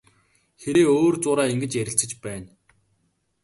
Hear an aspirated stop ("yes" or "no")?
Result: no